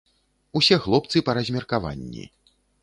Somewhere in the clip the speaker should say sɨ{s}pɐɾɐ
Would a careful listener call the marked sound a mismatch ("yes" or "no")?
yes